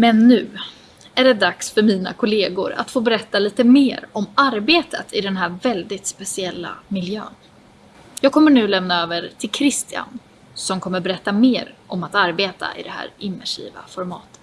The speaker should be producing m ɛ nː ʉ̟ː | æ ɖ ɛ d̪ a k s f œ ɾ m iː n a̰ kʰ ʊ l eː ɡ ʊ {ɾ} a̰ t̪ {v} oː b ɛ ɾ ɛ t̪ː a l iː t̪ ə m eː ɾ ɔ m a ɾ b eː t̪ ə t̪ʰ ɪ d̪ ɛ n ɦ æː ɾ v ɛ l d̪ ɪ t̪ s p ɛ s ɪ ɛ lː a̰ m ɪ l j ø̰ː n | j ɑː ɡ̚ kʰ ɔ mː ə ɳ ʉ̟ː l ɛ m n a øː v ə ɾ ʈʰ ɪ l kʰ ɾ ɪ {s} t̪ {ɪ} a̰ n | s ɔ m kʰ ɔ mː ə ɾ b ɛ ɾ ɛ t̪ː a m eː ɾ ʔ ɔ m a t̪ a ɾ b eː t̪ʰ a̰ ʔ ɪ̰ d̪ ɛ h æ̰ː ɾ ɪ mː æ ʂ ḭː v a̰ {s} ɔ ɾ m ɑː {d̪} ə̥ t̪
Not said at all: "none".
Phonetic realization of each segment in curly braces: ɾ, f, s, ɪ, f, t̪

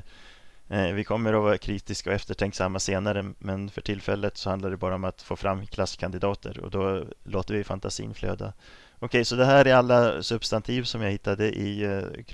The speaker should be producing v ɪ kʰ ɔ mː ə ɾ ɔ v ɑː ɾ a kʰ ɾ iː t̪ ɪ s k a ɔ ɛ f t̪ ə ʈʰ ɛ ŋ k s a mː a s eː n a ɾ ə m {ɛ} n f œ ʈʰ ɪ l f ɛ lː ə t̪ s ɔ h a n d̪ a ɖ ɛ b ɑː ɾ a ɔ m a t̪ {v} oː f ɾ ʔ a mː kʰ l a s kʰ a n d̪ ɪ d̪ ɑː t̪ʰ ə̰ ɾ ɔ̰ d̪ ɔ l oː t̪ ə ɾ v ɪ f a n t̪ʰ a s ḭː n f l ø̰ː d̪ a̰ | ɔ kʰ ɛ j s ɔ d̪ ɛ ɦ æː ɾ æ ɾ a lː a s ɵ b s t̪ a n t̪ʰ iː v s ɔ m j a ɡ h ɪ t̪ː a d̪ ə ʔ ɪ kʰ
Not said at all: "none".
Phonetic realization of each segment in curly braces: ɛ, f

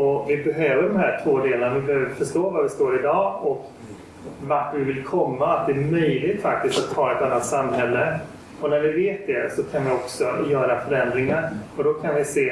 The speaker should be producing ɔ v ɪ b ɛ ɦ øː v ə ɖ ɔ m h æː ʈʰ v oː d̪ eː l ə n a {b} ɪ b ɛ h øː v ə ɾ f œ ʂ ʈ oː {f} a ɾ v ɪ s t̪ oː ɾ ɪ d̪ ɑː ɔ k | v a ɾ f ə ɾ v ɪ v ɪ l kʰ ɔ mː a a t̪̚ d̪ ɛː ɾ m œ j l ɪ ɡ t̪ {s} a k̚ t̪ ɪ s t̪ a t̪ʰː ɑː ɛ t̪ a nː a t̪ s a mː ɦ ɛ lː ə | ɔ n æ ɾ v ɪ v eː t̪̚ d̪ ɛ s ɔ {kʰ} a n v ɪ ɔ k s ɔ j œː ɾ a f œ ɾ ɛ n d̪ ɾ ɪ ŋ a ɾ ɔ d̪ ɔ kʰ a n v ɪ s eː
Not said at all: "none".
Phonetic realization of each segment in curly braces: v, v, f, kʰ

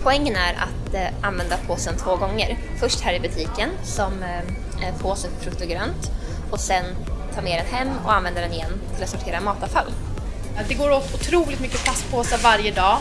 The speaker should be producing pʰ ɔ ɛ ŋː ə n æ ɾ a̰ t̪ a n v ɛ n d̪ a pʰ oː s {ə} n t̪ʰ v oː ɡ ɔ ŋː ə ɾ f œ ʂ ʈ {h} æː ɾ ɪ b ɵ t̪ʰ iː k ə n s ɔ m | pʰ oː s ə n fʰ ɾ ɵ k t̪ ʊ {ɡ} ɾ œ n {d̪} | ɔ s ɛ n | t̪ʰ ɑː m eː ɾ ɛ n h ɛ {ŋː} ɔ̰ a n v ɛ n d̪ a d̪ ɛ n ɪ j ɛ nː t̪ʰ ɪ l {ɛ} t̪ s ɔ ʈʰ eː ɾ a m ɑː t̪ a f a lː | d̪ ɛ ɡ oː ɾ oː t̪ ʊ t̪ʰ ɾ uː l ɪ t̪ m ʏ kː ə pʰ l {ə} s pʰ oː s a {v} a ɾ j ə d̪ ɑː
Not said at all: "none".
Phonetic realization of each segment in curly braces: ə, h, ɡ, t̪, mː, a, a, v

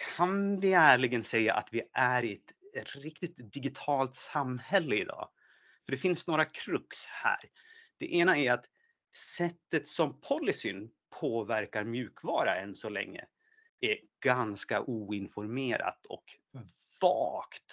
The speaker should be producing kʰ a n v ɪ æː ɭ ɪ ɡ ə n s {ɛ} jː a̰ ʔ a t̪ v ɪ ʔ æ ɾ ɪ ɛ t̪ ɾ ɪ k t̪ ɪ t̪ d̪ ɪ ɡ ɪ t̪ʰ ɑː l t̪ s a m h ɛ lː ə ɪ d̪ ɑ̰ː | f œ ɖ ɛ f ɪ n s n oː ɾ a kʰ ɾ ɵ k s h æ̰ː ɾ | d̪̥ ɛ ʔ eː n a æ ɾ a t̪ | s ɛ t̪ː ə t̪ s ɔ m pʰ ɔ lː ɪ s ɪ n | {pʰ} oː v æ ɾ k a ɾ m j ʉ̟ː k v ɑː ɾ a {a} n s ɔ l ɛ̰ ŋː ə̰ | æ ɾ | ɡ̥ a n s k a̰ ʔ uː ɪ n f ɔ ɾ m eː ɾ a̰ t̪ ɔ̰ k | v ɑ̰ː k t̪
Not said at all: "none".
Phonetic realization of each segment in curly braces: ɛ, pʰ, ɛ

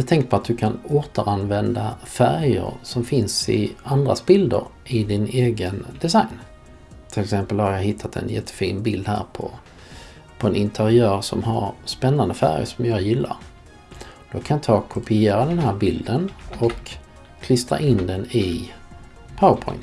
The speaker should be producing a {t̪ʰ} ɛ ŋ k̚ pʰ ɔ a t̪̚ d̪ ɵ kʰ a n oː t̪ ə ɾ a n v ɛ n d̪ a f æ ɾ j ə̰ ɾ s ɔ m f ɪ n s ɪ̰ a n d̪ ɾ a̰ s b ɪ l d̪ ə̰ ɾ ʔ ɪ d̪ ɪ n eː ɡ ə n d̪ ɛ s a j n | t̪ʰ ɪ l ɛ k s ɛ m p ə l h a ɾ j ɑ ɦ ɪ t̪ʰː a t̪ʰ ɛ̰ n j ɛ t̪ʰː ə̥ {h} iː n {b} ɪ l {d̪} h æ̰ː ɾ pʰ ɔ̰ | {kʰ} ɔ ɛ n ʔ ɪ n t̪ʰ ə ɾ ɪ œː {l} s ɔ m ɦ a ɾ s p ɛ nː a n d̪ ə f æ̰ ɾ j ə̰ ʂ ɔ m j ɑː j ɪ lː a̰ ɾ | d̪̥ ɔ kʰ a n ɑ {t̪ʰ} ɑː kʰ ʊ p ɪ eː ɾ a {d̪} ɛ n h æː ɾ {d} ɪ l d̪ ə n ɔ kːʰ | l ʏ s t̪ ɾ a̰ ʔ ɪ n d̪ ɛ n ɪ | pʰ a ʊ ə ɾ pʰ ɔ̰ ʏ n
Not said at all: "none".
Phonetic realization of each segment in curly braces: t̪ʰ, f, b, d̪, pʰ, ɾ, t̪ʰ, d̪, b

